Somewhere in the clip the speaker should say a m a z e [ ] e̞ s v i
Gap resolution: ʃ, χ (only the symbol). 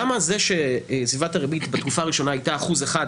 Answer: ʃ